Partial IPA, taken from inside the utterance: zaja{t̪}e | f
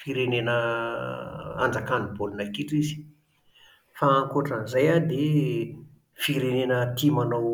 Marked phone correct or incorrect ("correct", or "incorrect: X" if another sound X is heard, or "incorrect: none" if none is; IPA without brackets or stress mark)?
incorrect: d̪